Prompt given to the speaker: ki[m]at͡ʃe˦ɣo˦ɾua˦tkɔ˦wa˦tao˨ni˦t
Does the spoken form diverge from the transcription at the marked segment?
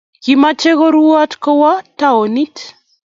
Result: no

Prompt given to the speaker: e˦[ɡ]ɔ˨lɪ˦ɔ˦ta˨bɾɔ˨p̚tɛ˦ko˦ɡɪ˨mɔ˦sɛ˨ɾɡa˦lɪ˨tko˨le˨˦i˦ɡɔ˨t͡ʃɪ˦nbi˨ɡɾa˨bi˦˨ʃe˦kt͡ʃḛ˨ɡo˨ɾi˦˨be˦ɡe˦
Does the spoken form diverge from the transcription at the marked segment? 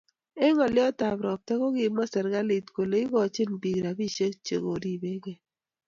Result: yes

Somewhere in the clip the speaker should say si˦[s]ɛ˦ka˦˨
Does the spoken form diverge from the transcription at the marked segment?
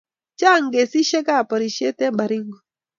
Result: yes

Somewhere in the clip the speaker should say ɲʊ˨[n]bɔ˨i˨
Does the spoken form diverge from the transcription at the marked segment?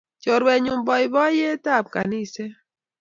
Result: yes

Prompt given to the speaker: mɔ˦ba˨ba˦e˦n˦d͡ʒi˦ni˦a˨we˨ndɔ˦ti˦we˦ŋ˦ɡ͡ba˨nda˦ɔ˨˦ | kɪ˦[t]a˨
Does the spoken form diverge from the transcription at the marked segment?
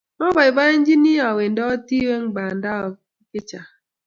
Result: yes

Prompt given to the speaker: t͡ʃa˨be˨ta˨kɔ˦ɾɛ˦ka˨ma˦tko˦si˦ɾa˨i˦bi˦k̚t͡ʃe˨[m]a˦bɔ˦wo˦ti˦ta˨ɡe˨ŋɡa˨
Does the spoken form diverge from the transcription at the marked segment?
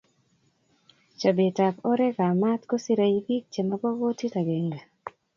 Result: no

